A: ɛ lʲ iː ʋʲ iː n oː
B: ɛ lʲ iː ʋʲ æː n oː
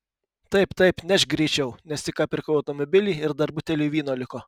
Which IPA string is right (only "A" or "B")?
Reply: A